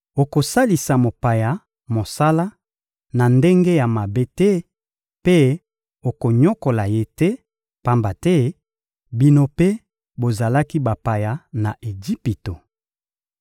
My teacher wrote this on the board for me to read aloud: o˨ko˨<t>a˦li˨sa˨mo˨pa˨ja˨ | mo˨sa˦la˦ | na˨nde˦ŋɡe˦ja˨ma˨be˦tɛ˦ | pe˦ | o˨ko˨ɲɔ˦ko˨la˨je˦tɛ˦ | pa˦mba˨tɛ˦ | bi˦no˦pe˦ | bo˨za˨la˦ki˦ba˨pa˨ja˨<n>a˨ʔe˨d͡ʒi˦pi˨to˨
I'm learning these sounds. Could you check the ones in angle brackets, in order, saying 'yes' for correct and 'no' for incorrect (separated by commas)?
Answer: no, yes